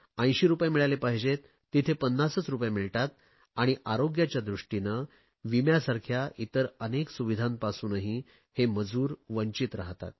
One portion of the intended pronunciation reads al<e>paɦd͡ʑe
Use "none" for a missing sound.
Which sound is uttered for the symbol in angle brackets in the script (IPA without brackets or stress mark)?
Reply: e